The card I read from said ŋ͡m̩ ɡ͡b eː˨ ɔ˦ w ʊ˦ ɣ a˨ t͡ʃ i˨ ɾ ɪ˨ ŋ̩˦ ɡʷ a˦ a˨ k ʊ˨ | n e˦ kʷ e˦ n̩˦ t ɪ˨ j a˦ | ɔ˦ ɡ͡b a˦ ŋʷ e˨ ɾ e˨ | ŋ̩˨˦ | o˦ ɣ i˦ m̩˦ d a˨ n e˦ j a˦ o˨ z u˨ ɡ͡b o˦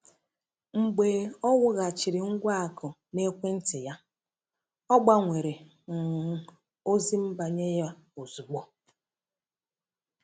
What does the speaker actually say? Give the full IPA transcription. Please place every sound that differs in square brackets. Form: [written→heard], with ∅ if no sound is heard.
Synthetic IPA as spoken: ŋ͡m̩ ɡ͡b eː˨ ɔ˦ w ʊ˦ ɣ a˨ t͡ʃ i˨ ɾ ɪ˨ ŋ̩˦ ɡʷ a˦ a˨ k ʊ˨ | n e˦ kʷ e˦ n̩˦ t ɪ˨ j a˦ | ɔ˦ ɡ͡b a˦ ŋʷ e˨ ɾ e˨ | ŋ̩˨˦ | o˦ [ɣ→z] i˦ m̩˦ [d→b] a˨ [n→ɲ] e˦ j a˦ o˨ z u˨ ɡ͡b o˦